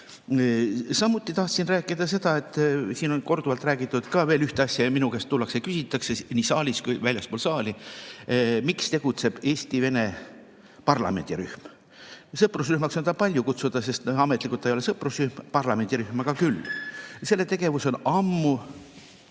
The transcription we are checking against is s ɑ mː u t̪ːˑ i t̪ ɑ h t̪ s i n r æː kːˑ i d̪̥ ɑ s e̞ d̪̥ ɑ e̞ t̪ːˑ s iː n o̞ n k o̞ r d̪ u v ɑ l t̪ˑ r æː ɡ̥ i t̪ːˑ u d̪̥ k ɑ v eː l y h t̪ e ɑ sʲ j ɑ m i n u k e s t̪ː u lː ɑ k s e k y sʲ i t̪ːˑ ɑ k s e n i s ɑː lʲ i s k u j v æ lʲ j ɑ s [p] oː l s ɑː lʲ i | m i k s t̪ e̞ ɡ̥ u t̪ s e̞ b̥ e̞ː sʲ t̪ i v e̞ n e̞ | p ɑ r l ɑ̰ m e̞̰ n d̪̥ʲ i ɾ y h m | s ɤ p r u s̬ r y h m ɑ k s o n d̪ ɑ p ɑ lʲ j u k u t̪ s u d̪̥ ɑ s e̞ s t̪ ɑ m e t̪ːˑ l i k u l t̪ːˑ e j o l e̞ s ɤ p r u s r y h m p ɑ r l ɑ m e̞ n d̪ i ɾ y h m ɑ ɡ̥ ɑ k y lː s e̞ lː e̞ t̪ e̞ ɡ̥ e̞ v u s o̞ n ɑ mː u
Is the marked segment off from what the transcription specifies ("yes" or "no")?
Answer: no